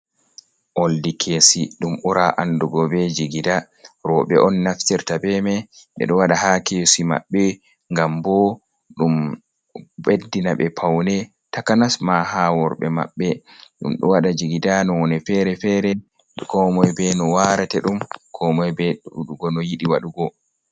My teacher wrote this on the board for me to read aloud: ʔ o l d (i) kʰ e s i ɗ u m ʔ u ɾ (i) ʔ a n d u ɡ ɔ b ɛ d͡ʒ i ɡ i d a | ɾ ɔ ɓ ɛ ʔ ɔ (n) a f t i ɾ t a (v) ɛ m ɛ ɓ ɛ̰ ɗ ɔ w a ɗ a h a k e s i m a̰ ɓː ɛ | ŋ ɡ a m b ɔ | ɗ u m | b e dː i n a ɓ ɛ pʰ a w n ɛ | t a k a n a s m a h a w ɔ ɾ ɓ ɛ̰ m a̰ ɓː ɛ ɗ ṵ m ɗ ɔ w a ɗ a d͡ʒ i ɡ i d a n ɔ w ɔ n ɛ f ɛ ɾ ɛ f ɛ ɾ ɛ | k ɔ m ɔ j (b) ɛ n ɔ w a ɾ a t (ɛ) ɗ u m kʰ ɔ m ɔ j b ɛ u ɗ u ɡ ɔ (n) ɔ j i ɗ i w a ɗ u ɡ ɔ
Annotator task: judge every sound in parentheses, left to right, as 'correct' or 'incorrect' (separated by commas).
correct, incorrect, incorrect, incorrect, correct, correct, correct